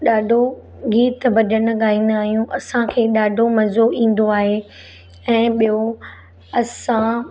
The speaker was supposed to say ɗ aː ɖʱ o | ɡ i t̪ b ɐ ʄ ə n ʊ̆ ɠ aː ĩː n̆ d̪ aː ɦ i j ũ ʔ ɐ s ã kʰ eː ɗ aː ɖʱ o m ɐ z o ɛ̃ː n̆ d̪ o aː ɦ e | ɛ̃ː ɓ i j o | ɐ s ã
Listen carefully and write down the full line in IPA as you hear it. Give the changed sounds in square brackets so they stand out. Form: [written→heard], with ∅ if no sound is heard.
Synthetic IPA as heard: ɗ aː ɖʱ o | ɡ [i→iː] t̪ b ɐ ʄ ə n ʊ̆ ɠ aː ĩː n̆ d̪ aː ɦ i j ũ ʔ ɐ s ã kʰ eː ɗ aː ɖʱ o m ɐ z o [ɛ̃ː→ĩː] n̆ d̪ o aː ɦ e | ɛ̃ː ɓ i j o | ɐ s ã